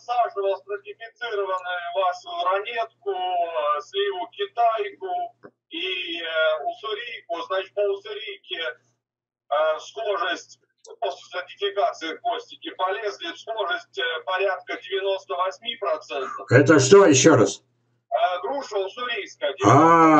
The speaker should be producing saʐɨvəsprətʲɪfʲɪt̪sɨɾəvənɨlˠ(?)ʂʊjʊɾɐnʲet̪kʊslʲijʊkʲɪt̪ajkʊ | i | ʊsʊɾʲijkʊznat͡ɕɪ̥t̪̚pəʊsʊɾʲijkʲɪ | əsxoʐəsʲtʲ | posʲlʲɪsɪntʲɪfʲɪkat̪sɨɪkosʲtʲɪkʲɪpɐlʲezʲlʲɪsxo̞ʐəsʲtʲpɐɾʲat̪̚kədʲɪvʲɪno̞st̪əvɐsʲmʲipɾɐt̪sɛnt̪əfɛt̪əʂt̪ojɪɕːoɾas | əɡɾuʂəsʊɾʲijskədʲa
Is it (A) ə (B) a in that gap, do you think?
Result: B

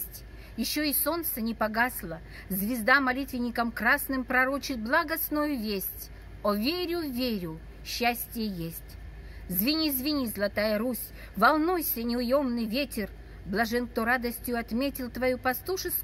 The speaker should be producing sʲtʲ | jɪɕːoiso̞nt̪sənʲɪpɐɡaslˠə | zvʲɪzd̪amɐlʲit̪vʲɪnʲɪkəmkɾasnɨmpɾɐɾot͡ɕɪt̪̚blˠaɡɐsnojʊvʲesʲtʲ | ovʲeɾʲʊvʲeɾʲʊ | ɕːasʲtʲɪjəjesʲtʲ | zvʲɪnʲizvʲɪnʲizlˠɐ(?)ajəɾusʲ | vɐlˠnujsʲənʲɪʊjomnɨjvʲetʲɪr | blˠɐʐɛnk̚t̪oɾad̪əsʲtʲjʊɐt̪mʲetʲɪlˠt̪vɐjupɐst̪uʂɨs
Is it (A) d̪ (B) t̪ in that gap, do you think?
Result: B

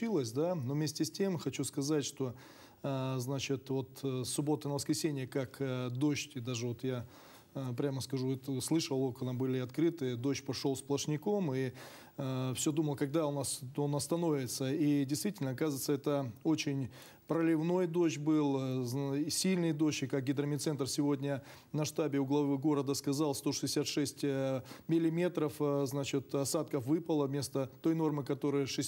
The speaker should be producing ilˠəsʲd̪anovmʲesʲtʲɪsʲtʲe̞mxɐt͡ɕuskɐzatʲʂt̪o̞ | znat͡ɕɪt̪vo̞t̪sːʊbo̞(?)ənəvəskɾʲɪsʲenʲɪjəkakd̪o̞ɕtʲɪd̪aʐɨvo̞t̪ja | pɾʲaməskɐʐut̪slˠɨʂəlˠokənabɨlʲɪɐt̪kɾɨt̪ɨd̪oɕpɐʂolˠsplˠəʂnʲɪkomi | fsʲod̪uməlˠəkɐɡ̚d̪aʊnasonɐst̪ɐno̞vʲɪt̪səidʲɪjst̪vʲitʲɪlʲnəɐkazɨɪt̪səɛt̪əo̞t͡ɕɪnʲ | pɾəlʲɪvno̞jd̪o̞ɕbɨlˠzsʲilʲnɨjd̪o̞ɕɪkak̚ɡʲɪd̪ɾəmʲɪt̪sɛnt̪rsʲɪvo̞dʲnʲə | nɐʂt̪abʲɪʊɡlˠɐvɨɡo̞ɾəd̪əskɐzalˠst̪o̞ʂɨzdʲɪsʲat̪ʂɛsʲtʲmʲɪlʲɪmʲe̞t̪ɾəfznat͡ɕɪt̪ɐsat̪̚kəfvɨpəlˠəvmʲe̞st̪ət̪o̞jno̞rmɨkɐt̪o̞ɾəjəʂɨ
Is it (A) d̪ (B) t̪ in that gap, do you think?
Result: B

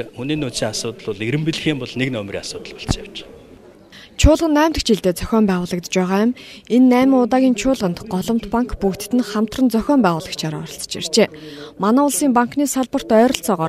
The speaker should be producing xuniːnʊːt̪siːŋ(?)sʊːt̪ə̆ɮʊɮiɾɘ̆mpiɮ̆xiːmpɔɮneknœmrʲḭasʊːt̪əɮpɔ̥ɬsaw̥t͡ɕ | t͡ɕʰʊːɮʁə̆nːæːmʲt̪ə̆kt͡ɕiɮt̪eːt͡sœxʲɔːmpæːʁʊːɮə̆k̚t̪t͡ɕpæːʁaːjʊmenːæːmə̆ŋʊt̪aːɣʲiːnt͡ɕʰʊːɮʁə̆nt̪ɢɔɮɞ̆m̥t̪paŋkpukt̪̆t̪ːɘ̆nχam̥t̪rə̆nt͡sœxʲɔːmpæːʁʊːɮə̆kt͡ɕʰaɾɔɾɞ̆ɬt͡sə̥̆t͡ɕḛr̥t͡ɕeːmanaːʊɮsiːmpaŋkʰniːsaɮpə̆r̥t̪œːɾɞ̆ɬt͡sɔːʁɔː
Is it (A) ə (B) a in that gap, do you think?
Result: B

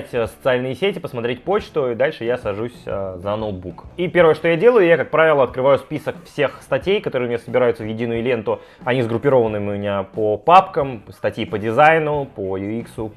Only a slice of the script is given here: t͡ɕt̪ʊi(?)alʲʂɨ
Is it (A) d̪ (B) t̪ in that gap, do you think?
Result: A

